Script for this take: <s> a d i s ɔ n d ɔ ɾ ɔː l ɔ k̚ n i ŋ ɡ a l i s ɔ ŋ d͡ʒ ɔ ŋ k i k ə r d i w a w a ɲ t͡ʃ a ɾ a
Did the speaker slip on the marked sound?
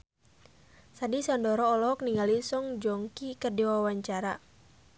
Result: no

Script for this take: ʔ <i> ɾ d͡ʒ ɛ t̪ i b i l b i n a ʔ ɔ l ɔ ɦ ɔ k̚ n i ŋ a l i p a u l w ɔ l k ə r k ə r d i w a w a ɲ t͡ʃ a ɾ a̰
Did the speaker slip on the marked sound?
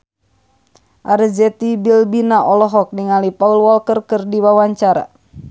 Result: yes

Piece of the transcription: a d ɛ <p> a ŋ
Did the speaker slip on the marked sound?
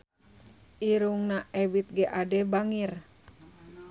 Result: yes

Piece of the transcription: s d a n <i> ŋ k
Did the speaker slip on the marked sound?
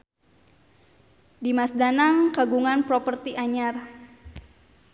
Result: yes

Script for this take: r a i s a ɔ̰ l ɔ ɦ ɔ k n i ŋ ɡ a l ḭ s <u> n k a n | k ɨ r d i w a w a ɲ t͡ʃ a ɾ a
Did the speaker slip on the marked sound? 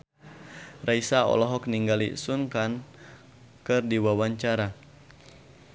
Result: no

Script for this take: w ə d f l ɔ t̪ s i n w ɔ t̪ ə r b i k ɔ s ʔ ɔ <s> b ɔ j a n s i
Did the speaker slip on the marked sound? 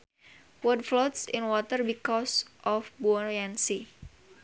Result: yes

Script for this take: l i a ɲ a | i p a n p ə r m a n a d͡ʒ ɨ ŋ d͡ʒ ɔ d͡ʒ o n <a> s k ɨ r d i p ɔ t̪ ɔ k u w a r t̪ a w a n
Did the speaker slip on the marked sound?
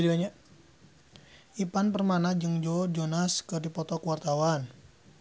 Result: no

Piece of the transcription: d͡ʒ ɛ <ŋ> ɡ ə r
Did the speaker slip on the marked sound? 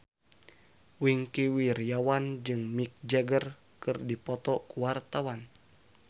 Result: yes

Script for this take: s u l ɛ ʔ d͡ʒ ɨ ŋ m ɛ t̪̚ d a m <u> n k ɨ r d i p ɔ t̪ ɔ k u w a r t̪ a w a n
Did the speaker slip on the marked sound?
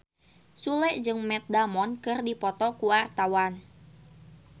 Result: yes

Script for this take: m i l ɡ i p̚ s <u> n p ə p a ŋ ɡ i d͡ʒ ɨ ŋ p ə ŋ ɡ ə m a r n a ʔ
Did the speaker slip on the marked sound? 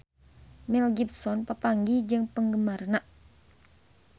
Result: yes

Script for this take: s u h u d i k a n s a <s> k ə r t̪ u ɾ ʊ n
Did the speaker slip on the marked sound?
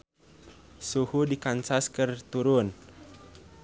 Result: no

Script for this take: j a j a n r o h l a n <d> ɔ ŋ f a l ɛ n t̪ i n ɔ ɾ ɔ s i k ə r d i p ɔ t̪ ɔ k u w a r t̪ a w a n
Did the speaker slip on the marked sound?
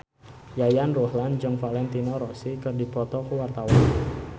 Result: yes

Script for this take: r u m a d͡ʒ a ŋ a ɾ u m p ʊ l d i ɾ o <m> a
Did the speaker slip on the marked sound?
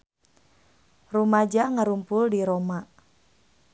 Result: no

